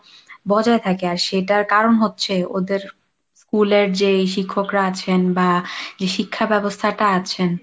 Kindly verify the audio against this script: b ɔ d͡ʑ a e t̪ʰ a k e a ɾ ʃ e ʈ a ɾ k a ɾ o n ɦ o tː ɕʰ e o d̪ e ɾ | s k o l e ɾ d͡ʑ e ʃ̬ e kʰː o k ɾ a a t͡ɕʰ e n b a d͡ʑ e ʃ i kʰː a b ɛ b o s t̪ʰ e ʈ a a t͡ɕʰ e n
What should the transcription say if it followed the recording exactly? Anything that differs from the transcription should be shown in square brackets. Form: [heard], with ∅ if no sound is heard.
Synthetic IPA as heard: b ɔ d͡ʑ a e t̪ʰ a k e a ɾ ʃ e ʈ a ɾ k a ɾ o n ɦ o tː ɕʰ e o d̪ e ɾ | s k [u] l e ɾ d͡ʑ e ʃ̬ [i] kʰː o k ɾ a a t͡ɕʰ e n b a d͡ʑ e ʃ i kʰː a b ɛ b o s t̪ʰ [a] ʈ a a t͡ɕʰ e n

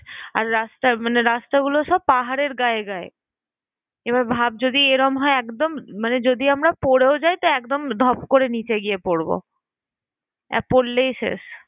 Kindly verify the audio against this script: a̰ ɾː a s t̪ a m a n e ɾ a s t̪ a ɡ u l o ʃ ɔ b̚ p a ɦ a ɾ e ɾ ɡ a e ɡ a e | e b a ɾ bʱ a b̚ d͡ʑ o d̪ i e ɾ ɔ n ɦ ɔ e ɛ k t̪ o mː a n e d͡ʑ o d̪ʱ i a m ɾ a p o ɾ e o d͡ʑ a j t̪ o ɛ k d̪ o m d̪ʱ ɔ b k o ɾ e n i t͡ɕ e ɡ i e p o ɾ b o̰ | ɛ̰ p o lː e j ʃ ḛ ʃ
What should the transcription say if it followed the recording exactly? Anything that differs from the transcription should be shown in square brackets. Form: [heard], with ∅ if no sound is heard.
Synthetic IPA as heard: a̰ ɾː a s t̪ a m a n e ɾ a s t̪ a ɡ u l o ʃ ɔ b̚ p a ɦ a ɾ e ɾ ɡ a e ɡ a e | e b a ɾ bʱ a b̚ d͡ʑ o d̪ i e ɾ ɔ [m] ɦ ɔ e ɛ k [d̪] o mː a n e d͡ʑ o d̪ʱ i a m ɾ a p o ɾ e o d͡ʑ a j t̪ o ɛ k d̪ o m d̪ʱ ɔ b k o ɾ e n i t͡ɕ e ɡ i e p o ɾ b o̰ | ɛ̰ p o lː e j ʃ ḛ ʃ

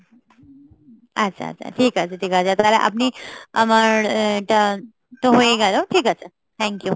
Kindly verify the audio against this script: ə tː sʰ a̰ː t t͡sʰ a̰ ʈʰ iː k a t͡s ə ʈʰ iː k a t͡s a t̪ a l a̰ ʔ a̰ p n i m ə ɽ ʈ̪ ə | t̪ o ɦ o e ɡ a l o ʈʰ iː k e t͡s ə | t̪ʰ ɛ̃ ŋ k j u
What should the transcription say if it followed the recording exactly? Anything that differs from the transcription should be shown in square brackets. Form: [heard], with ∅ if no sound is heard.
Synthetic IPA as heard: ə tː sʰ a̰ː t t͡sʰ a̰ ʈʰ iː k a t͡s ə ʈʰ iː k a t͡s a t̪ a l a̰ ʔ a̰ p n i m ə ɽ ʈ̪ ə | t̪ o ɦ o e ɡ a l o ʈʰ iː k [a] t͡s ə | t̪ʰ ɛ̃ ŋ k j u

